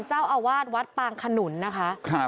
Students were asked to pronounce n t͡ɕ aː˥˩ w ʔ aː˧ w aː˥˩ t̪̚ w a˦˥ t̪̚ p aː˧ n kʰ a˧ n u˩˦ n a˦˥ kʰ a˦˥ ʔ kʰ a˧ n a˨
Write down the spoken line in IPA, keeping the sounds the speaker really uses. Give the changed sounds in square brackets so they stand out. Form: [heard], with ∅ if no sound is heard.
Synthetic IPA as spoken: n t͡ɕ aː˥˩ w ʔ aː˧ w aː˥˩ t̪̚ w a˦˥ t̪̚ p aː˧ [ŋ] kʰ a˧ n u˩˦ [nː] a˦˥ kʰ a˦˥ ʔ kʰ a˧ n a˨

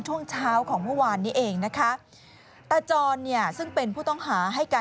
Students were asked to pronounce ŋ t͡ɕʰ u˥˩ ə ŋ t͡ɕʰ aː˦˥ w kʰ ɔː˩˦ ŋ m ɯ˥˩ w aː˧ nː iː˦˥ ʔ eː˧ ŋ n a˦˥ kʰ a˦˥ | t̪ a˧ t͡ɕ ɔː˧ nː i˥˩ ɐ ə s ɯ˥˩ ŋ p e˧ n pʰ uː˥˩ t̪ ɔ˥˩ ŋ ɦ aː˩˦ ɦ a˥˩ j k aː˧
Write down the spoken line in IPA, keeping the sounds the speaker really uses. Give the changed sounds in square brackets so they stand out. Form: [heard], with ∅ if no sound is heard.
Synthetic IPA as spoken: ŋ t͡ɕʰ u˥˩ ə ŋ t͡ɕʰ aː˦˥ w kʰ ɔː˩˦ ŋ m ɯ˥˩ w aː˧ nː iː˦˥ ʔ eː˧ ŋ n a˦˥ kʰ a˦˥ | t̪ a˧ t͡ɕ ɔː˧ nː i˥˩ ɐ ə s ɯ˥˩ ŋ p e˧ n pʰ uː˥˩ t̪ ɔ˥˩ ŋ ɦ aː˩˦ ɦ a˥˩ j k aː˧

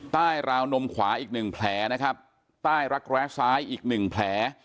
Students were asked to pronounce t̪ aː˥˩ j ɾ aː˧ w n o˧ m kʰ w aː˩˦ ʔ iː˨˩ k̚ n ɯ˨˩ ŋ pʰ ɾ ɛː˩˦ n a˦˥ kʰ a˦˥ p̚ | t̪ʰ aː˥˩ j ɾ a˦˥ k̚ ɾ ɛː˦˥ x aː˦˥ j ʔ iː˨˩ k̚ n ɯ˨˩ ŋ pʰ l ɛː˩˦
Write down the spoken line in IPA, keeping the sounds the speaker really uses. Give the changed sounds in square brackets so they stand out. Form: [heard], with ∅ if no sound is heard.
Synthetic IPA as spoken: t̪ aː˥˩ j ɾ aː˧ w n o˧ m kʰ w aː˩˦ ʔ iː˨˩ k̚ n ɯ˨˩ ŋ pʰ [l] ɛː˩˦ n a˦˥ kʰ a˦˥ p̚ | [t̪] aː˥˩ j ɾ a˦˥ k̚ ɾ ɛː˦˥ [s] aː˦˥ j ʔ iː˨˩ k̚ n ɯ˨˩ ŋ pʰ l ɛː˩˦

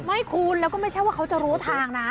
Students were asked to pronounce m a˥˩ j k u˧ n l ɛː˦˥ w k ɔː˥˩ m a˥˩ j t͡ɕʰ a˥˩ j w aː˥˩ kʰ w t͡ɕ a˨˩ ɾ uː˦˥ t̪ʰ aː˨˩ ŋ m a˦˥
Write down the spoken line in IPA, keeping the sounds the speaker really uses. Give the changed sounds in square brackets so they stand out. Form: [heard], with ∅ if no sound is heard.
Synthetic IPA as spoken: m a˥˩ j [kʰ] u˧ n l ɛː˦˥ w k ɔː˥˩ m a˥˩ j t͡ɕʰ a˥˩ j w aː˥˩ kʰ w t͡ɕ a˨˩ ɾ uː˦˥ t̪ʰ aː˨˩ ŋ [n] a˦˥

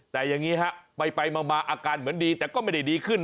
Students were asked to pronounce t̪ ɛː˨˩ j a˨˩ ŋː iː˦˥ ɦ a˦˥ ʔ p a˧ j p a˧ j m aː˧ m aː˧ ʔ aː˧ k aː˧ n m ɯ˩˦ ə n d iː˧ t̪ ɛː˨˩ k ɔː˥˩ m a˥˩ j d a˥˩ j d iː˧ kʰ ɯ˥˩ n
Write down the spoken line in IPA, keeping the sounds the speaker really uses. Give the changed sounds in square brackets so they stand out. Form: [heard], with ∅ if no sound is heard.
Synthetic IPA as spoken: t̪ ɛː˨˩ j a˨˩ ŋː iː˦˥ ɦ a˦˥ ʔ p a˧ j p a˧ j m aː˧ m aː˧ ʔ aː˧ k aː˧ n m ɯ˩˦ ə n d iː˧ t̪ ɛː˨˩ k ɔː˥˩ m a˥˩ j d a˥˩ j d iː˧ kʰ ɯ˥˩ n

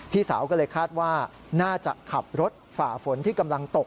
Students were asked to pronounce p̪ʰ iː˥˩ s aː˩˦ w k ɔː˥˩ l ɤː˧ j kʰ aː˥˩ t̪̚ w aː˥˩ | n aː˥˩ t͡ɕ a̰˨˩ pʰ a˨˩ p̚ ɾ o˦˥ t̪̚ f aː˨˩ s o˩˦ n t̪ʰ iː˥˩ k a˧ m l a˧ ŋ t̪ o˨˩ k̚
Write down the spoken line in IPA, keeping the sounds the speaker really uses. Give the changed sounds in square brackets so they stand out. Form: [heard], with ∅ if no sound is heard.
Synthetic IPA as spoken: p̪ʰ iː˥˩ s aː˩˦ w k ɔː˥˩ l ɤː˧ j kʰ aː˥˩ t̪̚ w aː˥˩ | n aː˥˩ t͡ɕ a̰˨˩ [kʰ] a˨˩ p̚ ɾ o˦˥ t̪̚ f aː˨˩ [f] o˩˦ n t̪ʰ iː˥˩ k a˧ m l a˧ ŋ t̪ o˨˩ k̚

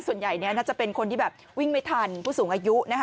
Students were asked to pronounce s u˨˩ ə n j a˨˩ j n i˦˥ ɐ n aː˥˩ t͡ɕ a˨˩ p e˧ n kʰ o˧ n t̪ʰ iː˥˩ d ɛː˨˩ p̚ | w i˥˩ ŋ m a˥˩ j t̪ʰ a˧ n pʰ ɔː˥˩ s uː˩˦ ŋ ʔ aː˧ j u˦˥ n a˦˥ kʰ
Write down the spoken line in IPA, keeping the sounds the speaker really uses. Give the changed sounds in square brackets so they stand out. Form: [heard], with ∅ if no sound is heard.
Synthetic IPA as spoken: s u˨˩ ə n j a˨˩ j n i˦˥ ɐ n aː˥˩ t͡ɕ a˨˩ p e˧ n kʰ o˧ n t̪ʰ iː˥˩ [b] ɛː˨˩ p̚ | w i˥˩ ŋ m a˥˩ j t̪ʰ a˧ n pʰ [uː˥˩] s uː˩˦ ŋ ʔ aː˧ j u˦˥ n a˦˥ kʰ

